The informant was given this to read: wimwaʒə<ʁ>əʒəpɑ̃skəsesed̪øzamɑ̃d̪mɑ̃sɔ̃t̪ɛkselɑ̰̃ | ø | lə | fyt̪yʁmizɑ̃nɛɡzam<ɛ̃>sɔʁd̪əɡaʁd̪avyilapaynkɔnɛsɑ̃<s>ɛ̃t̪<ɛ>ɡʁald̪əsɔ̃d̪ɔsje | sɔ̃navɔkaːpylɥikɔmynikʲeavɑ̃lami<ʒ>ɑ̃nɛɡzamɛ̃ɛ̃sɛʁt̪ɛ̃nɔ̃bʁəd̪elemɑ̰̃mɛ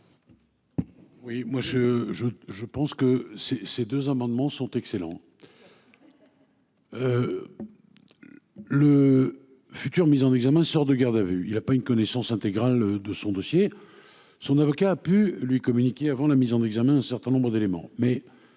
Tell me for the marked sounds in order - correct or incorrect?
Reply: incorrect, correct, correct, incorrect, incorrect

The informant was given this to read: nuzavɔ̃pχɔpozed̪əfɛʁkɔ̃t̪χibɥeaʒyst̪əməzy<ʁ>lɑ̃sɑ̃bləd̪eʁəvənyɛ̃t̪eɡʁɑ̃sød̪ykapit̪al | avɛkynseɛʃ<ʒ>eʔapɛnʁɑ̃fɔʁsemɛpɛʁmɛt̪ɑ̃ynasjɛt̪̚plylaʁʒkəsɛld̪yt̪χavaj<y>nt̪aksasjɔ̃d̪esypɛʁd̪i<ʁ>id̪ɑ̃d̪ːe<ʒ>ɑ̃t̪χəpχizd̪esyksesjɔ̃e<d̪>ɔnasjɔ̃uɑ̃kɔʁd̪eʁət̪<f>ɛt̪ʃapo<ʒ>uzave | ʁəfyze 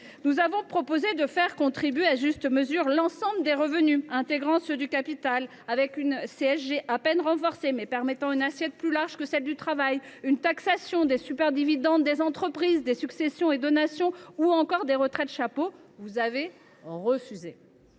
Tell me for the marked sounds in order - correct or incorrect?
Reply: correct, correct, correct, incorrect, incorrect, correct, incorrect, incorrect

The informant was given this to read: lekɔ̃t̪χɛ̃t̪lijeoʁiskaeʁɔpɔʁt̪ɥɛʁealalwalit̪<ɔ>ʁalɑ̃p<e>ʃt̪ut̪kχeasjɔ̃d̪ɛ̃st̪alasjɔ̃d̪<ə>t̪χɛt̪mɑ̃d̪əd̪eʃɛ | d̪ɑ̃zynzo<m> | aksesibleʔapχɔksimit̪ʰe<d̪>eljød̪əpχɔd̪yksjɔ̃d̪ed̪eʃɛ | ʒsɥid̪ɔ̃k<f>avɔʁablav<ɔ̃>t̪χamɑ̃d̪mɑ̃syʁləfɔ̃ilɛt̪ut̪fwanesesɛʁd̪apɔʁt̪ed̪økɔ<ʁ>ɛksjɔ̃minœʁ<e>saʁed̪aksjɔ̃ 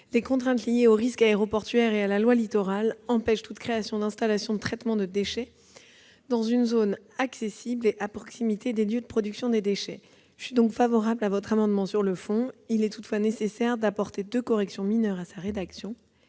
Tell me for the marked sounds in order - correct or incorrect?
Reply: correct, incorrect, correct, incorrect, correct, correct, incorrect, correct, incorrect

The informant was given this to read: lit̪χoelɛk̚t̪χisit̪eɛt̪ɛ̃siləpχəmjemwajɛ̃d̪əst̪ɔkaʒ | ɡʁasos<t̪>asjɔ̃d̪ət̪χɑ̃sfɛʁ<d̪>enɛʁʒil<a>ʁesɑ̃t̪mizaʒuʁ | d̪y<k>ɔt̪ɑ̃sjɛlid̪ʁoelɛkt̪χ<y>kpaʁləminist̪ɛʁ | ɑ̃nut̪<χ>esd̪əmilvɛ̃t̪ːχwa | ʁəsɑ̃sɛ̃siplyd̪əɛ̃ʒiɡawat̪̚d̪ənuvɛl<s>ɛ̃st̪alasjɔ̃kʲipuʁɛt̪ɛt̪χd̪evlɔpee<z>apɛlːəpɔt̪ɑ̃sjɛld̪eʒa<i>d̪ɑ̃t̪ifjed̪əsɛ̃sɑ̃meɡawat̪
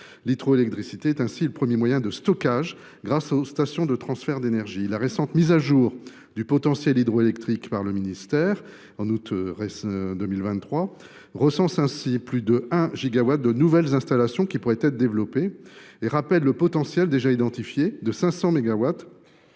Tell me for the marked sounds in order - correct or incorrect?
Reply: correct, correct, correct, incorrect, incorrect, incorrect, incorrect, incorrect, correct

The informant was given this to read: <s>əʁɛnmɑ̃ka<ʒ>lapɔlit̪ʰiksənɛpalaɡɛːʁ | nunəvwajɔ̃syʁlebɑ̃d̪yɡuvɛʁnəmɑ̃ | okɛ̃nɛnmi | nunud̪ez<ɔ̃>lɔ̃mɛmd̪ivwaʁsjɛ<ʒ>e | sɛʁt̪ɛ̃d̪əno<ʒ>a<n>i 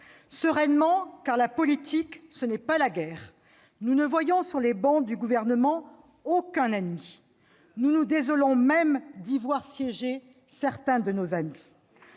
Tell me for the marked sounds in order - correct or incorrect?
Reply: correct, incorrect, incorrect, correct, incorrect, incorrect

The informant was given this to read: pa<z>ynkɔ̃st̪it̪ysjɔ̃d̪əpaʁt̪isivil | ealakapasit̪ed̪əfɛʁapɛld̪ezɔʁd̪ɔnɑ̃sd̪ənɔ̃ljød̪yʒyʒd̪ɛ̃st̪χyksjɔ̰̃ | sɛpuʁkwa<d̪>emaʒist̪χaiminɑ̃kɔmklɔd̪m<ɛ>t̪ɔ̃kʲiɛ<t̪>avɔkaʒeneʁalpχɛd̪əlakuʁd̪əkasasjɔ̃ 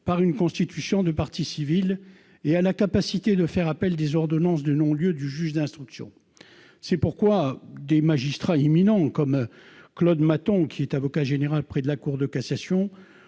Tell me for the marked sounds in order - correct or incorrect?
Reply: incorrect, correct, incorrect, correct

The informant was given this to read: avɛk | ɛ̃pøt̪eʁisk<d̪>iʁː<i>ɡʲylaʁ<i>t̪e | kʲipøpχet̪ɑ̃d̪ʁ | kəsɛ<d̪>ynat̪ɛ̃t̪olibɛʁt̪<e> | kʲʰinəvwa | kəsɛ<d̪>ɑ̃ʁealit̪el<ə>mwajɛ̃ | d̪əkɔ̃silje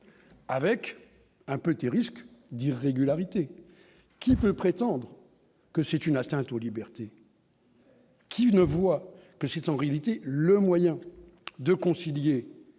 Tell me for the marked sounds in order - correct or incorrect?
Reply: correct, incorrect, correct, incorrect, correct, incorrect, correct

